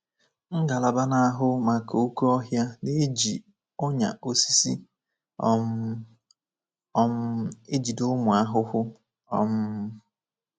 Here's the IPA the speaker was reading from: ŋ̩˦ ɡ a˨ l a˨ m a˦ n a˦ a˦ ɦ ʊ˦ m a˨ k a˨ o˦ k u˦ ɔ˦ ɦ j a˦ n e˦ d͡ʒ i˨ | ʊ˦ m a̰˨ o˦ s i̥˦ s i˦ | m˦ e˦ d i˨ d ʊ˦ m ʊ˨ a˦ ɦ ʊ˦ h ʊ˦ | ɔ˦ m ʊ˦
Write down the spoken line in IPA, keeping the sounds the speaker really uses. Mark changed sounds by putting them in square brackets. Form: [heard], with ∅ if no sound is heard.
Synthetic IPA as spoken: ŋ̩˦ ɡ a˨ l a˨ [b] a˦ n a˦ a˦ ɦ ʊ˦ m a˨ k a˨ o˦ k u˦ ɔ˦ ɦ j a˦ n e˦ d͡ʒ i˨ | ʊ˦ [ɲ] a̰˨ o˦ s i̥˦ s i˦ | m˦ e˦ [d͡ʒ] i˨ d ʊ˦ m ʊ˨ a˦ ɦ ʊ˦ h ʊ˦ | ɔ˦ m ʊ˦